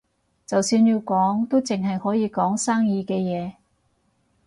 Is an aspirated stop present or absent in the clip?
absent